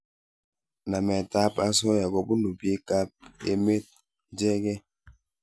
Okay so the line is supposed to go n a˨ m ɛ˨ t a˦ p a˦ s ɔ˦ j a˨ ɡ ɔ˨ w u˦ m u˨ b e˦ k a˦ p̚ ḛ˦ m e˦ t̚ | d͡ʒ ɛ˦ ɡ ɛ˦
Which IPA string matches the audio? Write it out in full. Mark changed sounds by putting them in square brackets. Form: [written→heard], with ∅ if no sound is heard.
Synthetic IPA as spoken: n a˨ m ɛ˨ t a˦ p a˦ s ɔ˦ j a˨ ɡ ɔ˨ [w→b] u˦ [m→n] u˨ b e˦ k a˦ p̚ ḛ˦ m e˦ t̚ | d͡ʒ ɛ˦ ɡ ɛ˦

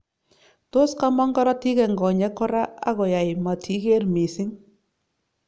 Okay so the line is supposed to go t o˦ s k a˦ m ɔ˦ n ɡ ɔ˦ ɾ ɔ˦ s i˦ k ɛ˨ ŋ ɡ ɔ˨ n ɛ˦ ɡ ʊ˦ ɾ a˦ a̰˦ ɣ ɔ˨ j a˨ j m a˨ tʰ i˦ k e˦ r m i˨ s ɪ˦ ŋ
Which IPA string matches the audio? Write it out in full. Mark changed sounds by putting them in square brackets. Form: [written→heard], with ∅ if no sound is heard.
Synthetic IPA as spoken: t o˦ s k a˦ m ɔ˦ [n→ŋ] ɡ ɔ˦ ɾ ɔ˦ [s→t] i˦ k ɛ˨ ŋ ɡ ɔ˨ [n→ɲ] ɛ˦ [ɡ→k] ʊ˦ ɾ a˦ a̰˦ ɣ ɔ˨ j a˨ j m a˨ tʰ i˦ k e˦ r m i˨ s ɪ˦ ŋ

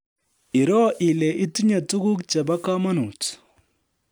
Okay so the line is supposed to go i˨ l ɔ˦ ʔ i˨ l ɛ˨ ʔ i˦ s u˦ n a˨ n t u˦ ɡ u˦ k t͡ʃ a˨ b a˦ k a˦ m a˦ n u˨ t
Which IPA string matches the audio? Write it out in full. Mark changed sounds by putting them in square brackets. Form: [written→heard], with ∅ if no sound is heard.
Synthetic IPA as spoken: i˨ [l→ɾ] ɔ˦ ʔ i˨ l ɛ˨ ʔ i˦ [s→t] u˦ [n→ɲ] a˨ [n→∅] t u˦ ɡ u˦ k t͡ʃ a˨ b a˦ k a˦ m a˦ n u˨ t

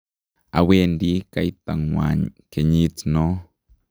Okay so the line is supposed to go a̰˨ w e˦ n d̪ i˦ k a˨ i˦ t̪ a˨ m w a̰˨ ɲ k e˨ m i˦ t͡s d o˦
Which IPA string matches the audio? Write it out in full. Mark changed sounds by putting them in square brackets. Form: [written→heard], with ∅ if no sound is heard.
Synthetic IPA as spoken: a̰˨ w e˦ n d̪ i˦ k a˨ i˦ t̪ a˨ [m→ŋ] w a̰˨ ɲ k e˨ [m→ɲ] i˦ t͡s [d→n] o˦

